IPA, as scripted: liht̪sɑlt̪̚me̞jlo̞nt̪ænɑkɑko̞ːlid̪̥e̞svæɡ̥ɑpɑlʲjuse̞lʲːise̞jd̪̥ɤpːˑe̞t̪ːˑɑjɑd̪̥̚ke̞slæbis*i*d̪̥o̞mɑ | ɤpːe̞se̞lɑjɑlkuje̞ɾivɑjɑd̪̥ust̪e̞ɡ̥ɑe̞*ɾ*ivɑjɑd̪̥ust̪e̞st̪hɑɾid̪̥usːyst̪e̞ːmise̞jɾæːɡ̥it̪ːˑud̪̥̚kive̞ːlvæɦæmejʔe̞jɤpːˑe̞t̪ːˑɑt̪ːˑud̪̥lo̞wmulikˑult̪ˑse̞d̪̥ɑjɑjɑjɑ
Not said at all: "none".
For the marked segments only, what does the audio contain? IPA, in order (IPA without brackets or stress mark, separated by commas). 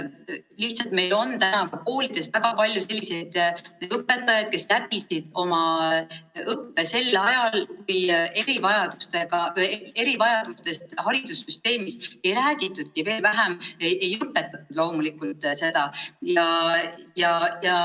i, ɾ